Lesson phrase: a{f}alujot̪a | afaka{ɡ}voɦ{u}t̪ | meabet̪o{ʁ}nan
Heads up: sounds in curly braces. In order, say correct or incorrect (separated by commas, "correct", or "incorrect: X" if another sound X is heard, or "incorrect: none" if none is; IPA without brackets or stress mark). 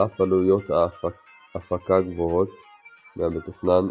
correct, correct, incorrect: o, incorrect: χ